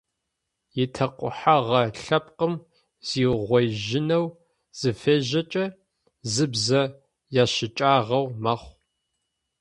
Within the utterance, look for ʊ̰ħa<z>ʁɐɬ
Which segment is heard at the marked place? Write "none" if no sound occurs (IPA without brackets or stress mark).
none